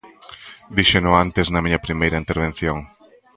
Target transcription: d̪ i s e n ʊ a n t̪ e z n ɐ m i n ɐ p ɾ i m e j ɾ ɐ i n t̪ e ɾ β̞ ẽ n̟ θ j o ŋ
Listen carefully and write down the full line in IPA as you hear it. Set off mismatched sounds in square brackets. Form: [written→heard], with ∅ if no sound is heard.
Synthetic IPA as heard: d̪ i [s→ʃ] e n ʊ a n t̪ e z n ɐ m i [n→ɲ] ɐ p ɾ i m e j ɾ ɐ i n t̪ e ɾ β̞ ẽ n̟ θ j o ŋ